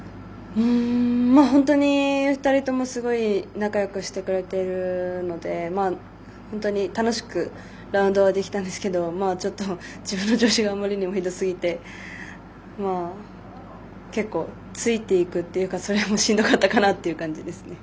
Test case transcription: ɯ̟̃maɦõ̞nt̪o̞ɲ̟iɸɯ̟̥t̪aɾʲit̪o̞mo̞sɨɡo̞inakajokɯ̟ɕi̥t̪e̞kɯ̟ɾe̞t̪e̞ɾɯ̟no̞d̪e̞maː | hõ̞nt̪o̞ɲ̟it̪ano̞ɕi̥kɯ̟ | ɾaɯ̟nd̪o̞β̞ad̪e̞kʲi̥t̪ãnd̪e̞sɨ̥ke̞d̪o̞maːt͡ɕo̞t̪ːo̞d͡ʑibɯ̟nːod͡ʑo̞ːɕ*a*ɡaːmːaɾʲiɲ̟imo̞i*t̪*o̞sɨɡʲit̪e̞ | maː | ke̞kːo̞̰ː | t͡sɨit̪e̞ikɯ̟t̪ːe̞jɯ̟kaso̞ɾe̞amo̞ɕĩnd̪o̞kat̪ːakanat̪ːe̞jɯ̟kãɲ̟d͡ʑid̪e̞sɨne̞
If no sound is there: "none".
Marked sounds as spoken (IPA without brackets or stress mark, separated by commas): i, d̪